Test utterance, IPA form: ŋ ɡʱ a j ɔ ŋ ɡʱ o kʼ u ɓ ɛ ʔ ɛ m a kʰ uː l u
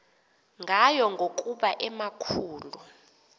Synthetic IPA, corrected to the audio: ŋ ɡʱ a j ɔ ŋ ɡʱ o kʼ u ɓ a ʔ ɛ m a kʰ uː l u